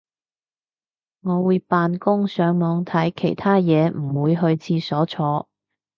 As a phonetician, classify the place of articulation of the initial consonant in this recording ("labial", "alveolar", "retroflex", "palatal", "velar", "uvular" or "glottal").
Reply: velar